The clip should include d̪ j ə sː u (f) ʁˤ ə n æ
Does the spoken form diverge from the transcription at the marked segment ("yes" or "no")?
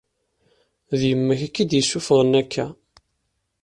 no